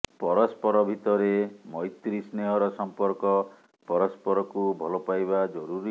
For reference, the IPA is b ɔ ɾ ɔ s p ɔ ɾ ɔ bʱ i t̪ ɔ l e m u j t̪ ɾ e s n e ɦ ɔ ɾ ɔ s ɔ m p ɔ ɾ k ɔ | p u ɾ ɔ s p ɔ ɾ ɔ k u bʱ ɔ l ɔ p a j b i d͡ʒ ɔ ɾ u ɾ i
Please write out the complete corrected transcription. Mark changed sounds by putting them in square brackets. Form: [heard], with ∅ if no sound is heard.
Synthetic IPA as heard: [p] ɔ ɾ ɔ s p ɔ ɾ ɔ bʱ i t̪ ɔ [ɾ] e m [ɔ] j t̪ ɾ [i] s n e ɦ ɔ ɾ ɔ s ɔ m p ɔ ɾ k ɔ | p [ɔ] ɾ ɔ s p ɔ ɾ ɔ k u bʱ ɔ l ɔ p a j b [a] d͡ʒ ɔ ɾ u ɾ i